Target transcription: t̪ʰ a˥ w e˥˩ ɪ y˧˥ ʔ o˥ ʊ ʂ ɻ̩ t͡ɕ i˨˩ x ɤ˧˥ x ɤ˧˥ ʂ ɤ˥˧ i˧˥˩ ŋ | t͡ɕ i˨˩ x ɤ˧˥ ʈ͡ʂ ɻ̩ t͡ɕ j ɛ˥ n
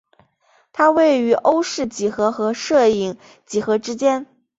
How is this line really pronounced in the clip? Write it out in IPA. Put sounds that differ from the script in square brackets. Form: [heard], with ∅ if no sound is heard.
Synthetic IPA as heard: t̪ʰ a˥ w e˥˩ ɪ y˧˥ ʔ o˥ ʊ ʂ ɻ̩ t͡ɕ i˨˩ x ɤ˧˥ x ɤ˧˥ ʂ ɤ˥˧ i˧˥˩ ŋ | t͡ɕ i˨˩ x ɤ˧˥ ʈ͡ʂ ɻ̩ t͡ɕ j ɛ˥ n